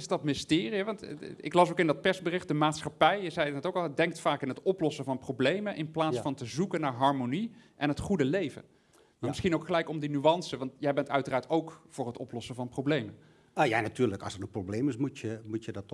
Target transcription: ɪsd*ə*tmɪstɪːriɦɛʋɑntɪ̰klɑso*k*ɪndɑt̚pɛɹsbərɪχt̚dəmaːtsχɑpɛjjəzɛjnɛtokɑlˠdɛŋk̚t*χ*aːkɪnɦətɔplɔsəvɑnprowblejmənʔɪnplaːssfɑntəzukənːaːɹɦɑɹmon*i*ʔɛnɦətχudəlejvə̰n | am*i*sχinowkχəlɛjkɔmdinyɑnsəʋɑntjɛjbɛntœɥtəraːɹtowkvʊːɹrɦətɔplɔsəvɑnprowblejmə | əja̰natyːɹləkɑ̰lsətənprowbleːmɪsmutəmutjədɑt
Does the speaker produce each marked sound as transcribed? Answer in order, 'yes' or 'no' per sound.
no, yes, no, yes, no

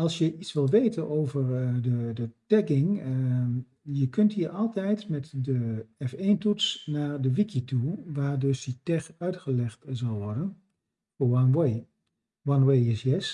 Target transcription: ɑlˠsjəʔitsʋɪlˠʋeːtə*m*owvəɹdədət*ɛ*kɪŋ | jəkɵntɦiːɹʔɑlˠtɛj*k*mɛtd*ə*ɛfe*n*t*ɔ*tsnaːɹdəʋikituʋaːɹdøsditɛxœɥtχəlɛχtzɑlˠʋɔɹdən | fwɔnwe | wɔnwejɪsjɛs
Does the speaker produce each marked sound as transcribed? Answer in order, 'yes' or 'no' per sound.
no, yes, no, yes, yes, no

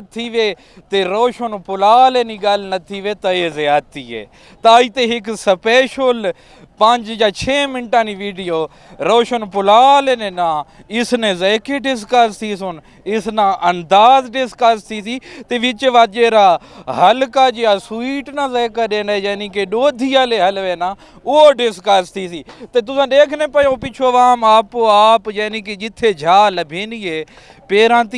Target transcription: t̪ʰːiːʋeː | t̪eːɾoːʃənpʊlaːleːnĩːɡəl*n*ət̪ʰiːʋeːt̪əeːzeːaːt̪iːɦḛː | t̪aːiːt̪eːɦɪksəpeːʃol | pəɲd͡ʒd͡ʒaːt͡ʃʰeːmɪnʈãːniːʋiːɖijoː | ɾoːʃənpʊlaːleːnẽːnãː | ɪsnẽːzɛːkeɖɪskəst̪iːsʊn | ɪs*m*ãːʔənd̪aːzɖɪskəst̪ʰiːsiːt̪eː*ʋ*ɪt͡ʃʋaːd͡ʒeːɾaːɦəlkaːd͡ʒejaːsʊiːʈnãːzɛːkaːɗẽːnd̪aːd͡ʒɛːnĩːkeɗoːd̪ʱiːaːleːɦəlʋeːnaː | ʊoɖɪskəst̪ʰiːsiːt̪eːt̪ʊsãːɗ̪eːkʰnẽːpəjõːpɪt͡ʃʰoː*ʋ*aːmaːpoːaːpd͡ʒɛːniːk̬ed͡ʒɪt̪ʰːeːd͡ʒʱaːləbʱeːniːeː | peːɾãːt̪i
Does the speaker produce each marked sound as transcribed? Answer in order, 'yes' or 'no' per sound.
yes, no, yes, yes

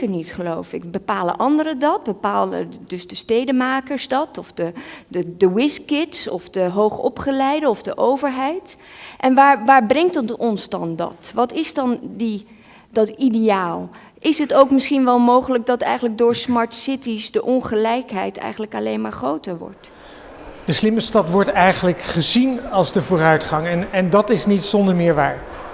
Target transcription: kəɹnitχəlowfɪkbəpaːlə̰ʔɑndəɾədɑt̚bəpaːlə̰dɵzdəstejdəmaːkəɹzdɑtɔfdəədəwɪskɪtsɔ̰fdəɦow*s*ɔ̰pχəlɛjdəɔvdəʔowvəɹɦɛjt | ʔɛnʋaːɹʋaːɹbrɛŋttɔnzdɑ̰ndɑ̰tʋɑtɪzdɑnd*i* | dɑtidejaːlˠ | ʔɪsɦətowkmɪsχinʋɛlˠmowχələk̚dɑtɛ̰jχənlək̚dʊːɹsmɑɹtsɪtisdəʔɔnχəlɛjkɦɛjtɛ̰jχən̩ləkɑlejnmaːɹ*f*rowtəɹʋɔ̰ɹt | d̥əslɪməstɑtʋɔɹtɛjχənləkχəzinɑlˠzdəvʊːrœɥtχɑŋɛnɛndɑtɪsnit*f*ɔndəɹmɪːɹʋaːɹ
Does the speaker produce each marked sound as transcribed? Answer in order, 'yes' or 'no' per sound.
no, yes, no, no

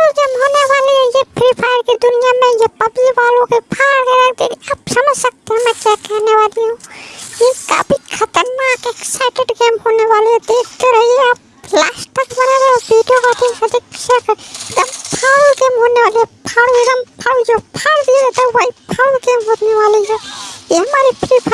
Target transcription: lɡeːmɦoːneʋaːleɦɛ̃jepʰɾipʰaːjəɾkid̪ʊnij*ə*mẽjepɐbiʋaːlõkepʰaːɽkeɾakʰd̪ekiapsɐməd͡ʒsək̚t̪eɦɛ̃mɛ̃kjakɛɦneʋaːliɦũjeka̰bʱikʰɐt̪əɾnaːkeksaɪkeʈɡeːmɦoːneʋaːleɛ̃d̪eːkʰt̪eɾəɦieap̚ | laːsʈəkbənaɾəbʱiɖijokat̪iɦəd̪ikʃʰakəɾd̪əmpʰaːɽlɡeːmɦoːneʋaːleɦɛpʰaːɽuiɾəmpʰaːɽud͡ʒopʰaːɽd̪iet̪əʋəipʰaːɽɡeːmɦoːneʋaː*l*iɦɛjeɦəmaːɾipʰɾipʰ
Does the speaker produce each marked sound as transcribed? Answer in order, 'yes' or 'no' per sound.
no, yes

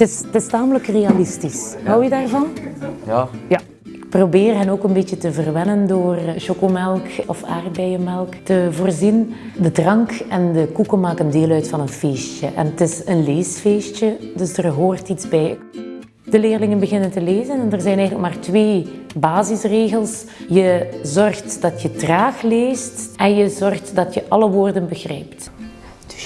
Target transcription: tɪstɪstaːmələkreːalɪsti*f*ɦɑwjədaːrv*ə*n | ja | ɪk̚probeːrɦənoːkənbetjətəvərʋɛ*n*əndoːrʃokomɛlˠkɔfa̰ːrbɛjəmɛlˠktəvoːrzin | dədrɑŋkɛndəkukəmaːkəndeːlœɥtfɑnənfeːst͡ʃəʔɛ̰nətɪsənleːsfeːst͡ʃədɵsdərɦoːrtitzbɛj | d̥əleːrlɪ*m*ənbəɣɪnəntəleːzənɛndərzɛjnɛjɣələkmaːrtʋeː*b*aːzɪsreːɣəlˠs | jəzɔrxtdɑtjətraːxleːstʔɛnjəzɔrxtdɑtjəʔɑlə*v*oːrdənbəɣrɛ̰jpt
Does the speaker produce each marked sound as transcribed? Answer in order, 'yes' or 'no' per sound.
no, no, yes, no, yes, no

